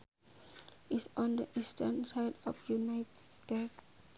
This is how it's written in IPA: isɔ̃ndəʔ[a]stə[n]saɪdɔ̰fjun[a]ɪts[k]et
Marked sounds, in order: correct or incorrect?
incorrect, correct, correct, incorrect

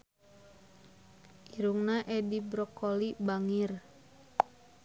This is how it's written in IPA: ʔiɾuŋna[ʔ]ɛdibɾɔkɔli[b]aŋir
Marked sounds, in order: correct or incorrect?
correct, correct

